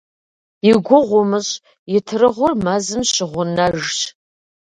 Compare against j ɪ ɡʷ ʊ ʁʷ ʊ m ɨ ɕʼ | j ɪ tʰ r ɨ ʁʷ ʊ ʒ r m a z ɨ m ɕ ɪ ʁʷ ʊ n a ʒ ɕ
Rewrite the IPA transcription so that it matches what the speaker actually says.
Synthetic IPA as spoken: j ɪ ɡʷ ʊ ʁʷ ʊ m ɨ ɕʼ | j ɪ tʰ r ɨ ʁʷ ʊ r m a z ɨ m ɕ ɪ ʁʷ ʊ n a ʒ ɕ

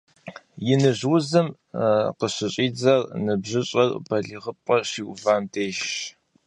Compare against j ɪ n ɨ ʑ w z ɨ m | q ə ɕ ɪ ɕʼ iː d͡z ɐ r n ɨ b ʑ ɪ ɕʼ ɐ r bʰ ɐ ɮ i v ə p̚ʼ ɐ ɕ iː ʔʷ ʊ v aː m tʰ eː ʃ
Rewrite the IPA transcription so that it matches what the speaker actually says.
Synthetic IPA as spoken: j ɪ n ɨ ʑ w z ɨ m | q ə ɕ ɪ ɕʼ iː d͡z ɐ r n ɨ b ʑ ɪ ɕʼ ɐ r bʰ ɐ ɮ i ʁ ə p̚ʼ ɐ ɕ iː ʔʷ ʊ v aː m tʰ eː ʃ

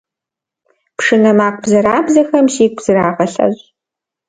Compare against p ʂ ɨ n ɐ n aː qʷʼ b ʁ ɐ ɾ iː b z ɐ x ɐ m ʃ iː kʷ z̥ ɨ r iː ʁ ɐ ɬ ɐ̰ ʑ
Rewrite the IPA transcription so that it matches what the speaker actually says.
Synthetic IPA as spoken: p ʂ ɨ n ɐ m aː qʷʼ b z ɐ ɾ aː b z ɐ x ɐ m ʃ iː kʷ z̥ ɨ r aː ʁ ɐ ɬ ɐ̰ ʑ

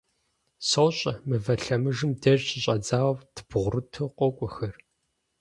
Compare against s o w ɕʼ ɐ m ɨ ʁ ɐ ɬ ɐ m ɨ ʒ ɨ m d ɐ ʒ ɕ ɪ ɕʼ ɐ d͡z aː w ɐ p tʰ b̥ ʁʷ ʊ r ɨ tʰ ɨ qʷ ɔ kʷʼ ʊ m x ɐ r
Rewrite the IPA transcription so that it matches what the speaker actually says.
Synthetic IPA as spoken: s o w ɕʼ ɐ m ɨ v ɐ ɬ ɐ m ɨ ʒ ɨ m d ɐ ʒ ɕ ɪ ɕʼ ɐ d͡z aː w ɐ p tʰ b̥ ʁʷ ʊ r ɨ tʰ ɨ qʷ ɔ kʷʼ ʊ x ɐ r

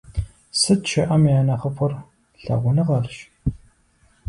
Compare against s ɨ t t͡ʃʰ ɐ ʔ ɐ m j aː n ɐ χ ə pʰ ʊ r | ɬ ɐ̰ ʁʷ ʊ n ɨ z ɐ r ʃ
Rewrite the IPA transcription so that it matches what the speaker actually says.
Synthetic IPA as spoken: s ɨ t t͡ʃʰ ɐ ʔ ɐ m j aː n ɐ χ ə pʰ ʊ r | ɬ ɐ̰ ʁʷ ʊ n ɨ ʁ ɐ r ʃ

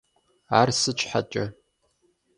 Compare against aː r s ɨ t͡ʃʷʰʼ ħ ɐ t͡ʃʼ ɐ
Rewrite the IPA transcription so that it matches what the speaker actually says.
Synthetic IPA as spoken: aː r s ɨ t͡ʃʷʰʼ ħ a t͡ʃʼ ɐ

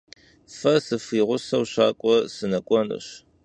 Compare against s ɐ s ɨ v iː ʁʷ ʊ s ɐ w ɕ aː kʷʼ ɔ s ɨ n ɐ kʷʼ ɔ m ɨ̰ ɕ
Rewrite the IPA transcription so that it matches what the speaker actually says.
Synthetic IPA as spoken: f ɐ s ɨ f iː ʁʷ ʊ s ɐ w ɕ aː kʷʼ ɔ s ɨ n ɐ kʷʼ ɔ n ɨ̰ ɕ

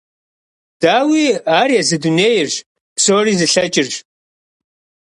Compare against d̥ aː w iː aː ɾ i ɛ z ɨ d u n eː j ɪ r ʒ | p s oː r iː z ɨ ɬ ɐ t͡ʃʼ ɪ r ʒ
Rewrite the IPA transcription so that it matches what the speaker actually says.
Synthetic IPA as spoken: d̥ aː w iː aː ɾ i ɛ z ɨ d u n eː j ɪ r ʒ | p s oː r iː z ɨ ɬ ɐ t͡ʃʼ ɪ r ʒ

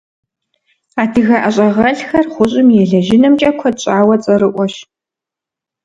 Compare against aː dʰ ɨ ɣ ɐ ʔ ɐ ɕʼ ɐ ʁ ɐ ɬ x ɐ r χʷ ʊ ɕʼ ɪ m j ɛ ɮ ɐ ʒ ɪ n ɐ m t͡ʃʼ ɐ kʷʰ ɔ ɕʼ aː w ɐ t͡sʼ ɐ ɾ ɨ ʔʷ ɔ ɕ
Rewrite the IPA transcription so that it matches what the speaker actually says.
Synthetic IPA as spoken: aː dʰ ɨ ɣ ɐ ʔ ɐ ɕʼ ɐ ʁ ɐ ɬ x ɐ r χʷ ʊ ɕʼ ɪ m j ɛ ɮ ɐ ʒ ɪ n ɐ m t͡ʃʼ ɐ kʷʰ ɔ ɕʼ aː w ɐ t͡sʼ ɐ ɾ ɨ ʔʷ ɔ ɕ

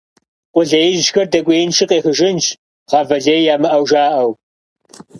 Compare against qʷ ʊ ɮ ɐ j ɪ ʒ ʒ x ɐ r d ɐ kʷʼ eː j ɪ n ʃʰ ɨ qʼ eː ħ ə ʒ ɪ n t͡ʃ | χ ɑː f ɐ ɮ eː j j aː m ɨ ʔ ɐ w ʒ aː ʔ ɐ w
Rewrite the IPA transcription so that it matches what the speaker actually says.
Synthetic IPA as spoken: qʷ ʊ ɮ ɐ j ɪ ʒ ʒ x ɐ r d ɐ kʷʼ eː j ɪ n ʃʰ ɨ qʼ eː x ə ʒ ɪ n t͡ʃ | ʁ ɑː v ɐ ɮ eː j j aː m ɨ ʔ ɐ w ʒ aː ʔ ɐ w

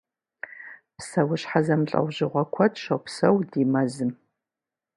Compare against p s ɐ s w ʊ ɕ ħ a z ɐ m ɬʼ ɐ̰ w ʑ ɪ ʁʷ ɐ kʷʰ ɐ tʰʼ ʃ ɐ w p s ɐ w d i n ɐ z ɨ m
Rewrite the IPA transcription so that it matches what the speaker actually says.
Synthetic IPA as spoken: p s ɐ w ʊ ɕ ħ a z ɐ m ɬʼ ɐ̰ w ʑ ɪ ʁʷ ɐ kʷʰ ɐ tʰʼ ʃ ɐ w p s ɐ w d i m ɐ z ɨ m

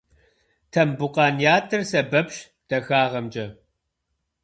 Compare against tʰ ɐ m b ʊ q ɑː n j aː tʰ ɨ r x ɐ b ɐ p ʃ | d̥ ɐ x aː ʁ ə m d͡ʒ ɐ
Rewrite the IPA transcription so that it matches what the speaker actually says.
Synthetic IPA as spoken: tʰ ɐ m b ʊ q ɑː n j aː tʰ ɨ r s ɐ b ɐ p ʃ | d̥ ɐ x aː ʁ ɐ m d͡ʒ ɐ

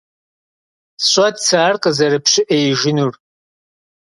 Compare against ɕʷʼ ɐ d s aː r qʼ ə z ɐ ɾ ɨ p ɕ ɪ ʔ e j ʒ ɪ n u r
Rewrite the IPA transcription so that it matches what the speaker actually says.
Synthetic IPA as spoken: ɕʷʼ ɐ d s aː r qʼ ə z ɐ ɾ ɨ p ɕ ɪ ʔ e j ʒ ɪ n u r

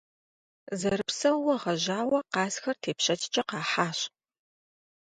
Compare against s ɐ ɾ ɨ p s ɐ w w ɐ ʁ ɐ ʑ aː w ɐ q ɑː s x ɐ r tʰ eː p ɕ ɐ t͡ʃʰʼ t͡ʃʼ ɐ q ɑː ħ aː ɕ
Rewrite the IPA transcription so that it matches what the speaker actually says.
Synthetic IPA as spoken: z ɐ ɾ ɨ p s ɐ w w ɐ ʁ ɐ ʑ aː w ɐ q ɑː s x ɐ r tʰ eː p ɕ ɐ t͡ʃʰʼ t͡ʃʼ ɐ q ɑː ħ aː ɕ

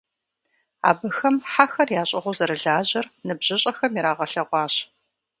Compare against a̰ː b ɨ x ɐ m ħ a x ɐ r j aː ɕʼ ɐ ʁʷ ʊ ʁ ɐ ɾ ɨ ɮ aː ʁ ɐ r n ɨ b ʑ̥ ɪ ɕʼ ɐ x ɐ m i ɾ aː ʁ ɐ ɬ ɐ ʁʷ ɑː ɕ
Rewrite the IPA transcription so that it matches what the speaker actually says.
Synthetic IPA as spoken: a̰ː b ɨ x ɐ m ħ a x ɐ r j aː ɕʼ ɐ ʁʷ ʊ z ɐ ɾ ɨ ɮ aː ʑ ɐ r n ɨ b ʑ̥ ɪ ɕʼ ɐ x ɐ m i ɾ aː ʁ ɐ ɬ ɐ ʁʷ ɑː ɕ

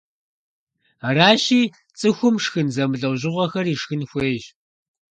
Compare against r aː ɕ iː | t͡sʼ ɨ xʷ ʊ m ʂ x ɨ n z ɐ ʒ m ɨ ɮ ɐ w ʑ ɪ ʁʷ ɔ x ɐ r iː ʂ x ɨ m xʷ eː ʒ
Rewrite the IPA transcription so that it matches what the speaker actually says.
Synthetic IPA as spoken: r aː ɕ iː | t͡sʼ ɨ xʷ ʊ m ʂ x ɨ n z ɐ m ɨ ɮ ɐ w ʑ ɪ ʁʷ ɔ x ɐ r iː ʂ x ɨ n xʷ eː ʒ

